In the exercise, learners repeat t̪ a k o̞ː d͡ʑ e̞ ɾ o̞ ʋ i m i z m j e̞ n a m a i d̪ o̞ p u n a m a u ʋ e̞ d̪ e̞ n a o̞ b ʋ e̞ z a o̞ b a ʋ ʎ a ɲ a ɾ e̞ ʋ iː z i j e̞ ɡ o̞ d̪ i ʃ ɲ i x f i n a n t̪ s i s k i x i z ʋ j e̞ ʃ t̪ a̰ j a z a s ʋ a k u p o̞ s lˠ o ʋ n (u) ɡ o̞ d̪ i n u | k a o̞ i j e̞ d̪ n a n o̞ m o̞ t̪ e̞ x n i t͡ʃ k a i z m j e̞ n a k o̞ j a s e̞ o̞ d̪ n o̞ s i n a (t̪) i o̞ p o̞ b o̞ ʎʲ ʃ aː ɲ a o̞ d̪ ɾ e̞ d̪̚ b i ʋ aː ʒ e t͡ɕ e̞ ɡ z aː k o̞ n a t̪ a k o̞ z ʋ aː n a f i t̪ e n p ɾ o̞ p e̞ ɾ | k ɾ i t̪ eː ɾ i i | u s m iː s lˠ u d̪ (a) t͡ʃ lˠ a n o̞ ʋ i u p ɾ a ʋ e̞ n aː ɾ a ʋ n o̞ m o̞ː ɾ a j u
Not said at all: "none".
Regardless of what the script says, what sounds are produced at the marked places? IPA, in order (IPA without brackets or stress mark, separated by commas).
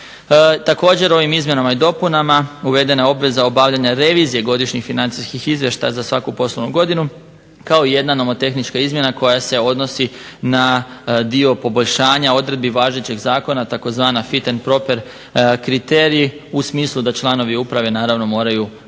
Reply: u, d̪, a